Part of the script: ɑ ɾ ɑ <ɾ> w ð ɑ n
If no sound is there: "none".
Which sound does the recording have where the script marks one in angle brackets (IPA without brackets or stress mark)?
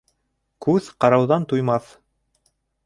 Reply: none